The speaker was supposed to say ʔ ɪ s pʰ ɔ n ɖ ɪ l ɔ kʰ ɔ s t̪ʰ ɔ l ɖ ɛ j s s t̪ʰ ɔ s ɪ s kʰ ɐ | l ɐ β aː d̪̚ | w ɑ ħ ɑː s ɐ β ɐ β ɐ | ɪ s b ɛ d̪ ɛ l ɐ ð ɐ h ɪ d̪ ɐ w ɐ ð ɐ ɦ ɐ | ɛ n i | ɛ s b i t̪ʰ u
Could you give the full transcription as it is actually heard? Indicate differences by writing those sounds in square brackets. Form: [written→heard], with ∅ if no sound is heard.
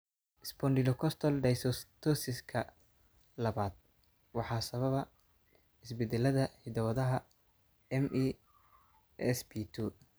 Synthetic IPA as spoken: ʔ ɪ s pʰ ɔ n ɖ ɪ l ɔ kʰ ɔ s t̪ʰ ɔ l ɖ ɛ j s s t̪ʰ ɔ s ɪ s kʰ ɐ | l ɐ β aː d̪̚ | w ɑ ħ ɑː s ɐ β ɐ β ɐ | ɪ s b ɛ d̪ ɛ l ɐ ð ɐ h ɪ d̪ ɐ w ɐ ð ɐ ɦ ɐ | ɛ [n→m] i | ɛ s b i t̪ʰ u